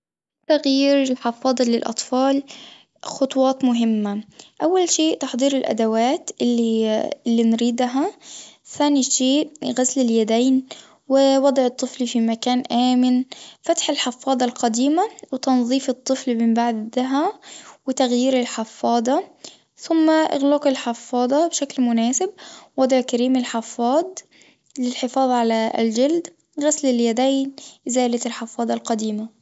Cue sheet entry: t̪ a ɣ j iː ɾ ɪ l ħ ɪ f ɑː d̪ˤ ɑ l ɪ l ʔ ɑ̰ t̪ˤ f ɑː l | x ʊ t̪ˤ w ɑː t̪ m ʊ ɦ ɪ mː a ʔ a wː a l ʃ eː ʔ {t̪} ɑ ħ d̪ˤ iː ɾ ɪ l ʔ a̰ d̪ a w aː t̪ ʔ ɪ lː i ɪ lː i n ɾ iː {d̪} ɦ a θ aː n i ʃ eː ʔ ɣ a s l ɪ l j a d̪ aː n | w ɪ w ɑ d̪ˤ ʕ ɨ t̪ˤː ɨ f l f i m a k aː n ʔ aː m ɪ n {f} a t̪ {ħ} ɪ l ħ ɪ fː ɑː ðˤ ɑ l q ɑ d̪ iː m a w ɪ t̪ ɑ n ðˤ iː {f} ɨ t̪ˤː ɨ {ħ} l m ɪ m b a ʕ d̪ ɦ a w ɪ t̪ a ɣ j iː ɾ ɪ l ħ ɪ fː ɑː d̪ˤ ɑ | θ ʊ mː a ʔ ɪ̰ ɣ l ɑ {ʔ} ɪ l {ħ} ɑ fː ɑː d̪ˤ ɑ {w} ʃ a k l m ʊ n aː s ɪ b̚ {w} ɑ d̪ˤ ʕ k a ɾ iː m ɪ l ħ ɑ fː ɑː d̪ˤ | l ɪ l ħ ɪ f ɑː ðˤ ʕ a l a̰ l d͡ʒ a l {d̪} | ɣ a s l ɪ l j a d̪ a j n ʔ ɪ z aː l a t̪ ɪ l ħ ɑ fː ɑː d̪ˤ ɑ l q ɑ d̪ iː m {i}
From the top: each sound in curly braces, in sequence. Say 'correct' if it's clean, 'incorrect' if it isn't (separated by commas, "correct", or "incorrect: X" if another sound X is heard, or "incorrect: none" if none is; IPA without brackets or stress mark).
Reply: correct, correct, correct, correct, correct, incorrect: f, incorrect: q, correct, incorrect: b, correct, correct, incorrect: a